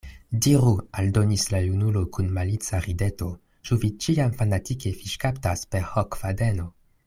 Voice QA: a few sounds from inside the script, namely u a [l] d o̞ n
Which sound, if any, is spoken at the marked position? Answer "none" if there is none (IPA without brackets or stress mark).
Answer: l